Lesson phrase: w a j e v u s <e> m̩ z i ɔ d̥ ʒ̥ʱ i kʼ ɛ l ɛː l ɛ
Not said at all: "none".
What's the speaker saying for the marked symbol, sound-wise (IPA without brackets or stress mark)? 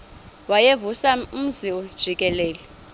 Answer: a